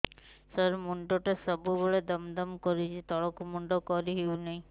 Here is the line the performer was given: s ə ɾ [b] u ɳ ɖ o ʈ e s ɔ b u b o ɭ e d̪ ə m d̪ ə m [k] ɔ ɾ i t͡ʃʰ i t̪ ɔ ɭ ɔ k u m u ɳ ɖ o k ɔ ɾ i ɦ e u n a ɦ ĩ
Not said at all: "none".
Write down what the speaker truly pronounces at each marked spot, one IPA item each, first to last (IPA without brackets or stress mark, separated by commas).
m, k